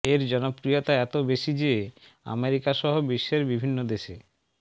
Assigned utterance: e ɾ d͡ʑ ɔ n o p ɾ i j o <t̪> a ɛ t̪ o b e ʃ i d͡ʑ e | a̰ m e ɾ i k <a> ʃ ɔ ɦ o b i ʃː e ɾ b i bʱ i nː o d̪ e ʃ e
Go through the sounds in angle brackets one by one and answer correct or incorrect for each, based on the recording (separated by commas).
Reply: correct, correct